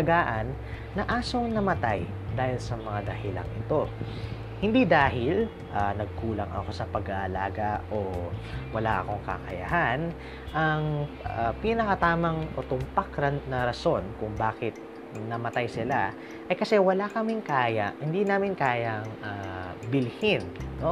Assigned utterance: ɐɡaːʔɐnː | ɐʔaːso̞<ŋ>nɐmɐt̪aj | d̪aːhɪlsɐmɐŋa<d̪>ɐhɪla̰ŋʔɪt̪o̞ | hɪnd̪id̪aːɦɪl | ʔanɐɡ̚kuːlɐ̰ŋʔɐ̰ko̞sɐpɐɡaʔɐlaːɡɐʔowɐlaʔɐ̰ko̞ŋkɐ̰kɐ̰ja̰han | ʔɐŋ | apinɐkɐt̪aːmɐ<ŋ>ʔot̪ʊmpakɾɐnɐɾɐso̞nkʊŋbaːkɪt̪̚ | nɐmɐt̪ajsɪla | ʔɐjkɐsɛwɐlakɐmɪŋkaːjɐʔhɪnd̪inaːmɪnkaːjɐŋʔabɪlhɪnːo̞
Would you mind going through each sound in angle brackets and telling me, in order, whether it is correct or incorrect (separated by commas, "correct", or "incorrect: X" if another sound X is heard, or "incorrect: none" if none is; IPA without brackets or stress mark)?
correct, correct, correct